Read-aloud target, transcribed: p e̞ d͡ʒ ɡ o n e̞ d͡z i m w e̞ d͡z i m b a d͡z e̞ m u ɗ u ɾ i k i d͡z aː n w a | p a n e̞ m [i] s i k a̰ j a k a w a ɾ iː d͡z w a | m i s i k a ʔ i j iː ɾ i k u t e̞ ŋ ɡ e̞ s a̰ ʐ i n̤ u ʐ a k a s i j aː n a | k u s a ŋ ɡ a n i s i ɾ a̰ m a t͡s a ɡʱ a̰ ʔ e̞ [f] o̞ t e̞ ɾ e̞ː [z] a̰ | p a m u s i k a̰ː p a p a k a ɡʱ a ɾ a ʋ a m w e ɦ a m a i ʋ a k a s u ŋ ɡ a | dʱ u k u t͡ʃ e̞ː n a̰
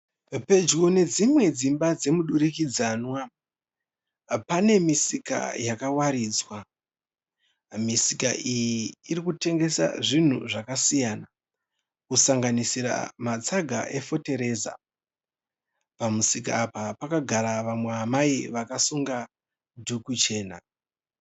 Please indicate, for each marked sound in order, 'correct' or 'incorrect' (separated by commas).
correct, correct, correct